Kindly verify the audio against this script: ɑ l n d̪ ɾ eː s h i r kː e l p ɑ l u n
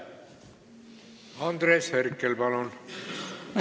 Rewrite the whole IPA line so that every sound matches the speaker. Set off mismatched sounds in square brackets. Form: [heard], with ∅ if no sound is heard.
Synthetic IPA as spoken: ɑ [∅] n d̪ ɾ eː s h [e] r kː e l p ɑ l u n